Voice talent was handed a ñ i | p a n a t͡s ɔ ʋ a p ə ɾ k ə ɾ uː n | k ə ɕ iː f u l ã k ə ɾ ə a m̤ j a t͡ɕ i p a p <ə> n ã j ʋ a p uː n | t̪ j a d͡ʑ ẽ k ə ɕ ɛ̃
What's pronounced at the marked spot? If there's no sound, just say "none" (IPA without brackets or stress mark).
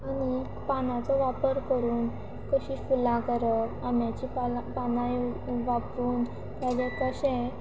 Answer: a